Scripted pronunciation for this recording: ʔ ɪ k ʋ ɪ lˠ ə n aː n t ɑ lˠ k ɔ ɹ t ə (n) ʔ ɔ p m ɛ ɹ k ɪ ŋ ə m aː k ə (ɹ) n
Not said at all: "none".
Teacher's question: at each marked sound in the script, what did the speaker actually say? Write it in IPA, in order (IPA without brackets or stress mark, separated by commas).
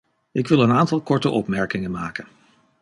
none, none